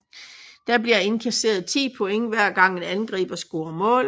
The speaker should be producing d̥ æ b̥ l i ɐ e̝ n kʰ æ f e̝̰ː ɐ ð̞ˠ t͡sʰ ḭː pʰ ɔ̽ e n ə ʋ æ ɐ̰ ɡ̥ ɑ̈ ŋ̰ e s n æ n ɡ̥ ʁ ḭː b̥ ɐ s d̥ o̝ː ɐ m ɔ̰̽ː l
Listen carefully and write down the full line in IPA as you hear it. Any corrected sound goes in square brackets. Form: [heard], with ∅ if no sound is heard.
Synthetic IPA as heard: d̥ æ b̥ l i ɐ e̝ n kʰ æ [s] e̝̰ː ɐ ð̞ˠ t͡sʰ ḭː pʰ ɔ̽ e [ŋ] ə ʋ æ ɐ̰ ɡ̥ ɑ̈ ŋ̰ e [∅] n æ n ɡ̥ ʁ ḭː b̥ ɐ s [ɡ̥] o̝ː ɐ m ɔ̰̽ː l